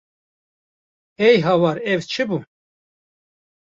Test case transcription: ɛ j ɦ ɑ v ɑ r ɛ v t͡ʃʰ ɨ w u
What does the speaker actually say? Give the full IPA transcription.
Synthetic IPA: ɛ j ɦ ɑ w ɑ ɾ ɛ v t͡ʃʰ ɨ b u